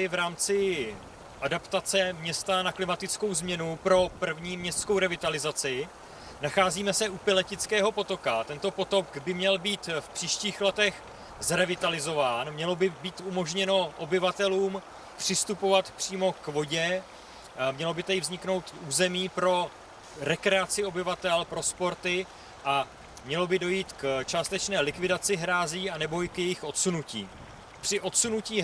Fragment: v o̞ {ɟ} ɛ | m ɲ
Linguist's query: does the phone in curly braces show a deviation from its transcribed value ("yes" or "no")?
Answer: no